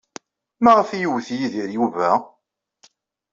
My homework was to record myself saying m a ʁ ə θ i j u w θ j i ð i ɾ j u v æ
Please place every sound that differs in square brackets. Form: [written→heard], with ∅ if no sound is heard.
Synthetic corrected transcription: m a ʁ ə [θ→f] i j u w θ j i ð i ɾ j u v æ